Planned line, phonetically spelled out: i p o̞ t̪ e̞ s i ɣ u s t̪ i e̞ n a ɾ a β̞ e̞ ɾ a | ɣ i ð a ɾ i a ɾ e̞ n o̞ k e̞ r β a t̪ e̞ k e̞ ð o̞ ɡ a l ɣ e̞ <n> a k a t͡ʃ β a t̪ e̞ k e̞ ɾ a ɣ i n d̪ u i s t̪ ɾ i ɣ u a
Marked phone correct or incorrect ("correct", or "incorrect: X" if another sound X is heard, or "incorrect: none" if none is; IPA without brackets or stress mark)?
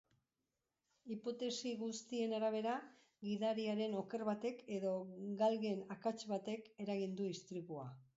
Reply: correct